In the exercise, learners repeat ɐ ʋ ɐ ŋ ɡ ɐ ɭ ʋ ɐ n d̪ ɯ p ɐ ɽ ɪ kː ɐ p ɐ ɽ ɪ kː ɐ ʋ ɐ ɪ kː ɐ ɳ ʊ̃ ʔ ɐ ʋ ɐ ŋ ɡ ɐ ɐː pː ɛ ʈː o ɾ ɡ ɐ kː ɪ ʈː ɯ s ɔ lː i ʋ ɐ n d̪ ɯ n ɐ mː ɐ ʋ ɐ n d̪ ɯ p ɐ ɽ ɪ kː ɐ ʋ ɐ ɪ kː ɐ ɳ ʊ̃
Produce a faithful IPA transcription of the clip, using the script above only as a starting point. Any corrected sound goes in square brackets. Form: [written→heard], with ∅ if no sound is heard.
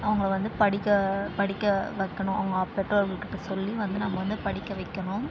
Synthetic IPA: ɐ ʋ ɐ ŋ ɡ ɐ ɭ ʋ ɐ n d̪ ɯ p ɐ ɽ ɪ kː ɐ p ɐ ɽ ɪ kː ɐ ʋ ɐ ɪ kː ɐ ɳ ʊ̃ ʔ ɐ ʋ ɐ ŋ ɡ ɐ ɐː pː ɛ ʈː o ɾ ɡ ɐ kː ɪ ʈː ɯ s ɔ lː i ʋ ɐ n d̪ ɯ n ɐ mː ɐ ʋ ɐ n d̪ ɯ p ɐ ɽ ɪ kː ɐ ʋ ɐ ɪ kː ɐ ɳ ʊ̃